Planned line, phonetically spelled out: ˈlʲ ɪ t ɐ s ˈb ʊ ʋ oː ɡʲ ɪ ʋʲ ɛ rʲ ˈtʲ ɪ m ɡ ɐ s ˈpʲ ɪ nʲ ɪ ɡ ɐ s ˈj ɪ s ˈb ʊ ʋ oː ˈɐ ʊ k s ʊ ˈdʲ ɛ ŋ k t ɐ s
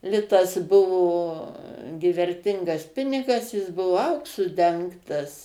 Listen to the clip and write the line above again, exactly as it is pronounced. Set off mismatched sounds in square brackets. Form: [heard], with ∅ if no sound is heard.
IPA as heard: ˈlʲ ɪ t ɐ s ˈb ʊ ʋ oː ɡʲ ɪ ʋʲ ɛ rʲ ˈtʲ ɪ [ŋ] ɡ ɐ s ˈpʲ ɪ nʲ ɪ ɡ ɐ s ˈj ɪ s ˈb ʊ ʋ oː ˈɐ ʊ k s ʊ ˈdʲ ɛ ŋ k t ɐ s